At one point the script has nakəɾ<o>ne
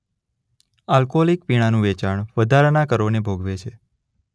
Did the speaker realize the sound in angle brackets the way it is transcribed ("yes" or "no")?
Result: yes